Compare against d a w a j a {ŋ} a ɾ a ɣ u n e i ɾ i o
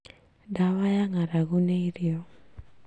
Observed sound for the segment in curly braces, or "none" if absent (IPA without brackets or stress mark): ŋ